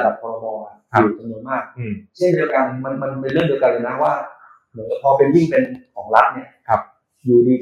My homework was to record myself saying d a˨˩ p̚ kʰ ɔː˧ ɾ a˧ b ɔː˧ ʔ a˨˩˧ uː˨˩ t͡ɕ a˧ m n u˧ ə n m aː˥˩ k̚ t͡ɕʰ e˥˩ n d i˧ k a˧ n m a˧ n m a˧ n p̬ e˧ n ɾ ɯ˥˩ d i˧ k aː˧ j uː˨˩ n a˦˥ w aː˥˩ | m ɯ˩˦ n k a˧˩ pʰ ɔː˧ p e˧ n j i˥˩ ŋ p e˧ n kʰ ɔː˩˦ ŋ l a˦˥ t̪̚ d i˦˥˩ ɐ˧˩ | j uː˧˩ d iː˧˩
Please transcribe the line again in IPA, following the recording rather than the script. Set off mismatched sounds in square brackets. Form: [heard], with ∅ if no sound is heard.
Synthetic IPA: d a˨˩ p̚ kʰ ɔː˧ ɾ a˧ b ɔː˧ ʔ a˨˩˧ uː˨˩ t͡ɕ a˧ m n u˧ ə n m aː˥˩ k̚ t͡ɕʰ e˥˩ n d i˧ k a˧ n m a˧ n m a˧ n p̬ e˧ n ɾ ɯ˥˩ d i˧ k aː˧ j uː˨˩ n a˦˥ w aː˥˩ | m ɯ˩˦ n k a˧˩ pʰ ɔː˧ p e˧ n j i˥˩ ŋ p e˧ n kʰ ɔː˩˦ ŋ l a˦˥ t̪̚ [n] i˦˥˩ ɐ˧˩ | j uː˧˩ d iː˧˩